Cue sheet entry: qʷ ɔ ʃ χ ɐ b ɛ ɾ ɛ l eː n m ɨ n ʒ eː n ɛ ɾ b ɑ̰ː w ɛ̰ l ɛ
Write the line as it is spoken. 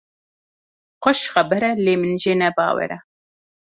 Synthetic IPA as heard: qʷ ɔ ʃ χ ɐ b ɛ ɾ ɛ l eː m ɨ n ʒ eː n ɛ b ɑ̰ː w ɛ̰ ɾ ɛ